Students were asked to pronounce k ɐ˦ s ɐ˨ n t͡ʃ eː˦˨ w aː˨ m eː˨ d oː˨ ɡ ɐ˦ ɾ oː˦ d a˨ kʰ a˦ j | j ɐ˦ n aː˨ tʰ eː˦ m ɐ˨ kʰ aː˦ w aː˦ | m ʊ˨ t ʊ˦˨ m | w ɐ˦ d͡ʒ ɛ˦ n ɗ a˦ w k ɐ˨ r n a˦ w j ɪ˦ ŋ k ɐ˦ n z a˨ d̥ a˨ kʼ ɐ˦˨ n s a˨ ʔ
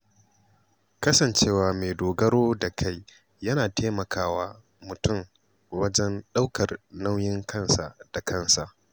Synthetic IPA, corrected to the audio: k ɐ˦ s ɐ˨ n t͡ʃ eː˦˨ w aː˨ m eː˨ d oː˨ ɡ ɐ˦ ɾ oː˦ d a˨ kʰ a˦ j | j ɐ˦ n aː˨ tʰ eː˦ m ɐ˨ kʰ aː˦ w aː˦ | m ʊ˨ t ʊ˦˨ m | w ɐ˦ d͡ʒ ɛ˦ n ɗ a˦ w k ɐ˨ r n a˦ w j ɪ˦ ŋ k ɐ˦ n s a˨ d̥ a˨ k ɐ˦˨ n s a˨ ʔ

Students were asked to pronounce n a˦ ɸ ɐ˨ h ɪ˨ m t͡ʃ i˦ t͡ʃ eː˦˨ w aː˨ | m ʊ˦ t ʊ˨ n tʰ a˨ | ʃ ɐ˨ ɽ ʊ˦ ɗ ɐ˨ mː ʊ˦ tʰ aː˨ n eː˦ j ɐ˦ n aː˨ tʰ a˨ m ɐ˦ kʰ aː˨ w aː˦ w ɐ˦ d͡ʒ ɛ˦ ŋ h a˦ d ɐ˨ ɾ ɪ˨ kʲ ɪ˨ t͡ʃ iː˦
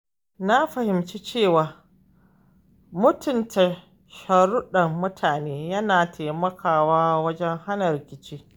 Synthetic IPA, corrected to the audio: n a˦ ɸ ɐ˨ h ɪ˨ m t͡ʃ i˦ t͡ʃ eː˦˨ w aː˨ | m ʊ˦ t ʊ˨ n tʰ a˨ | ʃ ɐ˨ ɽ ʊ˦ ɗ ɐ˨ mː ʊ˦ tʰ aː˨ n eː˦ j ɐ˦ n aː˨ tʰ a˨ m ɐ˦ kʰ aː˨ w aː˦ w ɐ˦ d͡ʒ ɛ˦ ŋ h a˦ n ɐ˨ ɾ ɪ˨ kʲ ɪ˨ t͡ʃ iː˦

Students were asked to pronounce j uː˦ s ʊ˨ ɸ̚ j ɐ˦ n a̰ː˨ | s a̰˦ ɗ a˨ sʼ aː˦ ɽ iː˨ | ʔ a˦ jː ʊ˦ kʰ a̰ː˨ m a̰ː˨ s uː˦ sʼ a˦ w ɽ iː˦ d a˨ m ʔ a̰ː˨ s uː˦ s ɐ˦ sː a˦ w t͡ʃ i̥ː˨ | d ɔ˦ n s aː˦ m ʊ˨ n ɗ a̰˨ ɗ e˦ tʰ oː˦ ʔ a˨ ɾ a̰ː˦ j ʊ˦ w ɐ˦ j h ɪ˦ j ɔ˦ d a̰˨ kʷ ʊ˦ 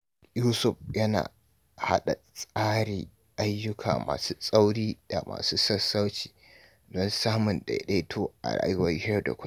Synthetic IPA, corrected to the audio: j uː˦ s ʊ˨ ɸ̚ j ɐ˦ n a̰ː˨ | h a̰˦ ɗ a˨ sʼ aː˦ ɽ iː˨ | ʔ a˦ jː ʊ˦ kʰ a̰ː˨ m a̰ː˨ s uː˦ sʼ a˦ w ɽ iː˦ d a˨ m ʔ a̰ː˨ s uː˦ s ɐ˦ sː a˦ w t͡ʃ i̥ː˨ | d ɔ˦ n s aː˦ m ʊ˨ n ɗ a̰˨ ɗ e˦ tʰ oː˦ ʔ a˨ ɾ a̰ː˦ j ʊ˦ w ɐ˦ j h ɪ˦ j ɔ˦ d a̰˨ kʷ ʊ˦

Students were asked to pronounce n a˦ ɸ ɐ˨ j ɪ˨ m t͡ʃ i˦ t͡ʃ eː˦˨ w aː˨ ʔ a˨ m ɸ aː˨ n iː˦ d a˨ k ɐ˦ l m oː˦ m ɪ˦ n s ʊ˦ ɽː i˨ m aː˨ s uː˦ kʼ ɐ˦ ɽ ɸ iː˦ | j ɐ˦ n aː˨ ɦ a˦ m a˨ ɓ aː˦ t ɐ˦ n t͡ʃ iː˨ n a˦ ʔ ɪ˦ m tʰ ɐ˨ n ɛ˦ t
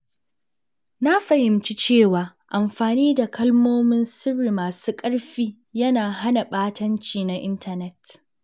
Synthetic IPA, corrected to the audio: n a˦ ɸ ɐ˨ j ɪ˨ m t͡ʃ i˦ t͡ʃ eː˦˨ w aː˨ ʔ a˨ m ɸ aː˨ n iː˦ d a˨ k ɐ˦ l m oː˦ m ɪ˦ n s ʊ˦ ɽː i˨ m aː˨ s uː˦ kʼ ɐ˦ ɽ ɸ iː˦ | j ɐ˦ n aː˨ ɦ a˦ n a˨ ɓ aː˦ t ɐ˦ n t͡ʃ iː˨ n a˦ ʔ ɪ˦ n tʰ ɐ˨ n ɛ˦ t

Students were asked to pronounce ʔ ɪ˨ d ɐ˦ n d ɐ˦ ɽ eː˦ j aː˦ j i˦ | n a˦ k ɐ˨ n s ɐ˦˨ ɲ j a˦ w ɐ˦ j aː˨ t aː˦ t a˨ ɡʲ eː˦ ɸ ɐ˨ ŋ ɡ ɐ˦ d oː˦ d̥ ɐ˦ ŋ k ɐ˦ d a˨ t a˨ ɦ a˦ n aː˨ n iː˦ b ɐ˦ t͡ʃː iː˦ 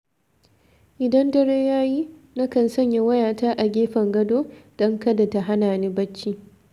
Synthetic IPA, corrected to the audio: ʔ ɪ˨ d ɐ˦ n d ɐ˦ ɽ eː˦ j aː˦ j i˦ | n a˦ k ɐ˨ n s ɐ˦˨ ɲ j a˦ w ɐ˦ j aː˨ t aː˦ ʔ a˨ ɡʲ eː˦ ɸ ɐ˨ ŋ ɡ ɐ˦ d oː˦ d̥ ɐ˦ ŋ k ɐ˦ d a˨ t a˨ ɦ a˦ n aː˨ n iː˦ b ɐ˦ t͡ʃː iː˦

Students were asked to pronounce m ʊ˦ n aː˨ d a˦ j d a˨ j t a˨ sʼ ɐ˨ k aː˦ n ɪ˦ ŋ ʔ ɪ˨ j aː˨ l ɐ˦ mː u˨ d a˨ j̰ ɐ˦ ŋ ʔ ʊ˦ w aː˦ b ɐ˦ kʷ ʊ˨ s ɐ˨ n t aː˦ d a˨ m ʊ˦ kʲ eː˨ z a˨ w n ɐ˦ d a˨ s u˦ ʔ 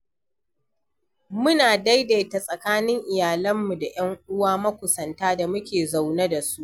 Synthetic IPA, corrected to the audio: m ʊ˦ n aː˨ d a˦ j d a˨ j t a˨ sʼ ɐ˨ k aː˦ n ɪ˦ ŋ ʔ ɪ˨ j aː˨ l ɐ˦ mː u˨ d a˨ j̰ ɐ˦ ŋ ʔ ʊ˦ w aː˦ m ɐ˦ kʷ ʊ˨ s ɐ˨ n t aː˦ d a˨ m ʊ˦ kʲ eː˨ z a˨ w n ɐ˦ d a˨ s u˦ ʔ

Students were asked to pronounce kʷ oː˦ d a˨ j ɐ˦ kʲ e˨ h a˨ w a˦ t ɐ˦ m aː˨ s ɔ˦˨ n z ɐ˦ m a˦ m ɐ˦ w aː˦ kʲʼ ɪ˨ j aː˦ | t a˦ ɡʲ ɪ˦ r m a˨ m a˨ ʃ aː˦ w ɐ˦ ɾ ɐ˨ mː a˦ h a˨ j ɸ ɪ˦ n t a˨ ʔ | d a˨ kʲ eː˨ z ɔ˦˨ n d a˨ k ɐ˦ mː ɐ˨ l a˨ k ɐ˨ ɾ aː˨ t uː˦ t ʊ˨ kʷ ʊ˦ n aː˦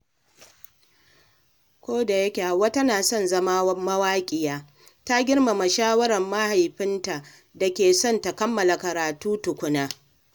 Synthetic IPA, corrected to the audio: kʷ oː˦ d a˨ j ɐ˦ kʲ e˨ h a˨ w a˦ t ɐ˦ n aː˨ s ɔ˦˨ n z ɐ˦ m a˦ m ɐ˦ w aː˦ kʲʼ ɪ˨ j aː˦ | t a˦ ɡʲ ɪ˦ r m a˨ m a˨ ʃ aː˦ w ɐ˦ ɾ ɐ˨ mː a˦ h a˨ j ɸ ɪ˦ n t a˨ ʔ | d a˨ kʲ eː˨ s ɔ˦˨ n t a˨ k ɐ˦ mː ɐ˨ l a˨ k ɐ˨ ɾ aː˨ t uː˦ t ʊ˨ kʷ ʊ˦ n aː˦

